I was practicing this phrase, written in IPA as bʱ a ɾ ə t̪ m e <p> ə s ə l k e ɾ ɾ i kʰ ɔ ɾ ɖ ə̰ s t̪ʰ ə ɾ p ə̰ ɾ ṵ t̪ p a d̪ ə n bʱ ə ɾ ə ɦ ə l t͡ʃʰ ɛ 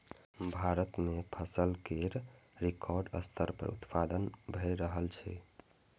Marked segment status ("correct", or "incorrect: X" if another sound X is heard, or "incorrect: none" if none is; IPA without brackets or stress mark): incorrect: pʰ